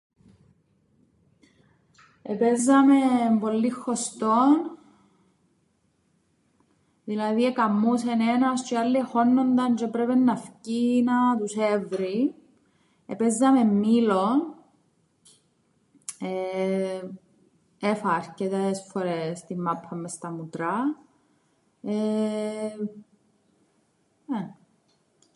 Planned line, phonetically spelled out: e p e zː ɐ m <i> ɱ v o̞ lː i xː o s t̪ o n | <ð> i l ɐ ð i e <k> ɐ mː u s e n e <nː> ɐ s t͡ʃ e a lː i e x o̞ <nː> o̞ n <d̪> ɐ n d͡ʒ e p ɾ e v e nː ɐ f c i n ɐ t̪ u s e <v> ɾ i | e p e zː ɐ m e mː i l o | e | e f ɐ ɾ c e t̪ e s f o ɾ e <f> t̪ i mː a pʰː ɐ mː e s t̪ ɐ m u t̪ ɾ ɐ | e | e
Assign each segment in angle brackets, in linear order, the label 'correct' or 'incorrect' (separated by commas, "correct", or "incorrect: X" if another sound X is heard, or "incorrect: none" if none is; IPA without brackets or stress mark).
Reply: incorrect: e, correct, correct, incorrect: n, correct, correct, correct, incorrect: s